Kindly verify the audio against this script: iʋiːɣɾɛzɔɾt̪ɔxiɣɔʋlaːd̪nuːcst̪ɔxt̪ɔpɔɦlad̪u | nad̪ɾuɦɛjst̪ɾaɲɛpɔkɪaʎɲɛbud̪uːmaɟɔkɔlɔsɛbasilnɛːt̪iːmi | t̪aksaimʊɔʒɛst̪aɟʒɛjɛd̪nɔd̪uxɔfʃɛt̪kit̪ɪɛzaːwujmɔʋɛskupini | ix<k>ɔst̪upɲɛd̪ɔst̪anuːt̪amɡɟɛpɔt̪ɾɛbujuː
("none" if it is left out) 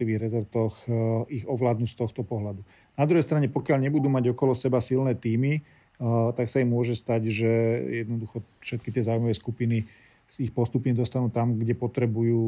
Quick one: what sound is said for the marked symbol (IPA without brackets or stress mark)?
p